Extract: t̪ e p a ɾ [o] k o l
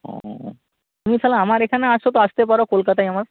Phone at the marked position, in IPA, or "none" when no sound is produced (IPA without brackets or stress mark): o